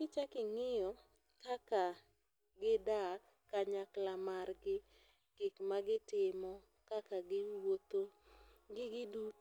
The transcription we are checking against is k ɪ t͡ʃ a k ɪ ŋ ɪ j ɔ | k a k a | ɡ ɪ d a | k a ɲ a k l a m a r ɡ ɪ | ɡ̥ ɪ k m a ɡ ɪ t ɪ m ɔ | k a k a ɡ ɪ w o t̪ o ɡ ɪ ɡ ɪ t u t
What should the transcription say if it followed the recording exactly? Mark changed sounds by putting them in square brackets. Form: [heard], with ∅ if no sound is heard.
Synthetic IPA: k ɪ t͡ʃ a k ɪ ŋ ɪ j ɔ | k a k a | ɡ ɪ d a | k a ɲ a k l a m a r ɡ ɪ | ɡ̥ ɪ k m a ɡ ɪ t ɪ m ɔ | k a k a ɡ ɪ w o t̪ o ɡ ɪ ɡ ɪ [d] u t